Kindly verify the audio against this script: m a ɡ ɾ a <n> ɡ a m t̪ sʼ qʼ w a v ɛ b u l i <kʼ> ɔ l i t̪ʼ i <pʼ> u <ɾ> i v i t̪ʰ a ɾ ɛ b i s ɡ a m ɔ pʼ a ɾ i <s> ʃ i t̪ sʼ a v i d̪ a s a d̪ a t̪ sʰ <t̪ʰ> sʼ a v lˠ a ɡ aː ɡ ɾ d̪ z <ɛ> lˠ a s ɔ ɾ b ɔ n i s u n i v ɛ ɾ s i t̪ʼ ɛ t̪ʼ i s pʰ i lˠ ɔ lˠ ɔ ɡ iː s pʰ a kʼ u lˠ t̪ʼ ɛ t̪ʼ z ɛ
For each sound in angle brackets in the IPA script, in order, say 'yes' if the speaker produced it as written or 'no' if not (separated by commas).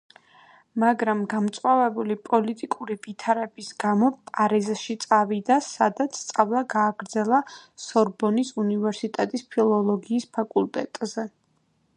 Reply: no, no, no, yes, no, no, yes